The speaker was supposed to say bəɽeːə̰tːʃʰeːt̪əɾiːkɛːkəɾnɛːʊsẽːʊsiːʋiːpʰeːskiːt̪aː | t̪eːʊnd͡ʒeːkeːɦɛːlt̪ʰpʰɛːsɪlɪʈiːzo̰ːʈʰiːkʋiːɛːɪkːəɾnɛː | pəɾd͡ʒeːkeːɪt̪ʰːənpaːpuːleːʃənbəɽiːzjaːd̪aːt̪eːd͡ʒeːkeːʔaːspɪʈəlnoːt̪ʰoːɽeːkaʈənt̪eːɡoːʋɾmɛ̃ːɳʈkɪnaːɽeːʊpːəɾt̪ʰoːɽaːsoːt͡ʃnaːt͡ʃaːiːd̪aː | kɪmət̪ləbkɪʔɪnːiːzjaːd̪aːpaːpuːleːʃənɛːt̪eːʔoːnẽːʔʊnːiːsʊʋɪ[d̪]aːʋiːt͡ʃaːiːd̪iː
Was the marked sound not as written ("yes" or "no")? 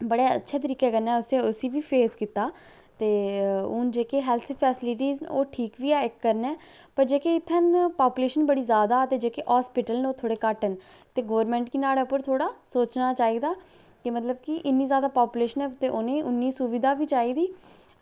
no